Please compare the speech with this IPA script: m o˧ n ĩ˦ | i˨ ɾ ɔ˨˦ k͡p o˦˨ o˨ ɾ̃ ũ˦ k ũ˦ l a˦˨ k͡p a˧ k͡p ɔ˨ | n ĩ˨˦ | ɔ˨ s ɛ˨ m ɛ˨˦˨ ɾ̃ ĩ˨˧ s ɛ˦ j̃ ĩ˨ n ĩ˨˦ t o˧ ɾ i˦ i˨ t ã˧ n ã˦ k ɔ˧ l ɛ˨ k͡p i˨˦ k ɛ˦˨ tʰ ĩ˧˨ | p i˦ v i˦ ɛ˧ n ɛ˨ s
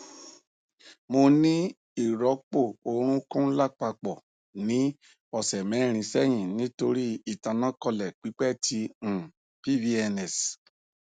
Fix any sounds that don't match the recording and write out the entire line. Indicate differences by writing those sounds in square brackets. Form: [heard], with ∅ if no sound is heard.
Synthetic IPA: m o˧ n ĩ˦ | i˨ ɾ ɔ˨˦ k͡p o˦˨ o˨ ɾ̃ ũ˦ k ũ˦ l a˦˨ k͡p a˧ k͡p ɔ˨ | n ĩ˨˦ | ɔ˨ s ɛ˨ m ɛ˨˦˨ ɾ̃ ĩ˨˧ s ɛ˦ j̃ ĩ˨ n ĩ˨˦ t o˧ ɾ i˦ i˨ t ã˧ n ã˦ k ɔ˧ l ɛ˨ k͡p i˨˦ [k͡p] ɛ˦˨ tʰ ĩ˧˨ | p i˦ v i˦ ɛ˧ n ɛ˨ s